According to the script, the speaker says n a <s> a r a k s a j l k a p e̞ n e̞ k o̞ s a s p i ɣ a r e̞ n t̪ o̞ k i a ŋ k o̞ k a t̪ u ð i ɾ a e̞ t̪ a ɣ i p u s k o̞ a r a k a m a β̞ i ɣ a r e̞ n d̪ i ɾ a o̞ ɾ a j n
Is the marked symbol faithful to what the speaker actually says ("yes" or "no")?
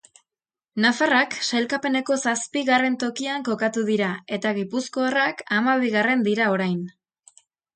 no